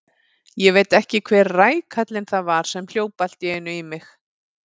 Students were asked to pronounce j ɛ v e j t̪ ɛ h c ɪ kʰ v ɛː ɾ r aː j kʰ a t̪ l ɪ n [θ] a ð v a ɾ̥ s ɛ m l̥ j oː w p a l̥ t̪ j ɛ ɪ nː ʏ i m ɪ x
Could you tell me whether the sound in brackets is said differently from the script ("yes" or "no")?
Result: no